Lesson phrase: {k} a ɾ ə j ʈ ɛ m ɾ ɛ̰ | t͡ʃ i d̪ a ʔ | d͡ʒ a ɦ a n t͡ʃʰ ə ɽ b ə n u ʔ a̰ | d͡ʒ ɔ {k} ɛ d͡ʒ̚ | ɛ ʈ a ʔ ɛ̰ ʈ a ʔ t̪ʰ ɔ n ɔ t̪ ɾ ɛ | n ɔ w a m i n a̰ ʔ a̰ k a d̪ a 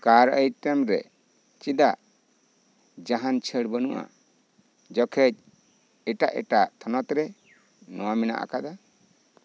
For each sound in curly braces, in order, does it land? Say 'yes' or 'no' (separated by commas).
yes, no